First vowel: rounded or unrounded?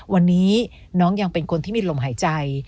unrounded